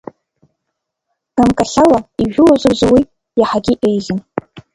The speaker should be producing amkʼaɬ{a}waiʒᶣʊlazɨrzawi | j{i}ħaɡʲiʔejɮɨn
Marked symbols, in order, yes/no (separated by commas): yes, no